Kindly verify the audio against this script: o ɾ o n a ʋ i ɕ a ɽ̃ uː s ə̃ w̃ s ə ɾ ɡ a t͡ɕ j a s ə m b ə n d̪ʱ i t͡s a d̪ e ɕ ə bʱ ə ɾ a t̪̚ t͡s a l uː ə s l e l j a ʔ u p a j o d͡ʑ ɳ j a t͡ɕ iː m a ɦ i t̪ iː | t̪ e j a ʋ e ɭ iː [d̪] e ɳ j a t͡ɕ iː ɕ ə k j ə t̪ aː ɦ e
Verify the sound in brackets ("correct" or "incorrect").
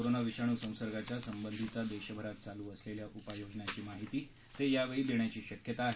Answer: correct